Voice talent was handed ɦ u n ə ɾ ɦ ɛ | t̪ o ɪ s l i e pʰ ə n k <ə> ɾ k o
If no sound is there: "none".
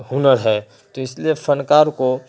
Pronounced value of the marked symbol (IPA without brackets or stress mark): a